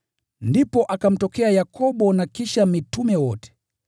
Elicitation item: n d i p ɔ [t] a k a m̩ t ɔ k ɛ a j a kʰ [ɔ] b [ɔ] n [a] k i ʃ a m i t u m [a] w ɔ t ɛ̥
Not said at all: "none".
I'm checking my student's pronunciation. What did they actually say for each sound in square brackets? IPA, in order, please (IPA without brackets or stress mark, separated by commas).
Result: ʔ, ɔ, ɔ, a, ɛ